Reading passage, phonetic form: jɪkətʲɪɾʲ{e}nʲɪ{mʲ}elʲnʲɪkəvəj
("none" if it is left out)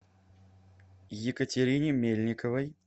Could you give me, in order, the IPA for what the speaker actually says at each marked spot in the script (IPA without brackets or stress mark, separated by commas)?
i, mʲ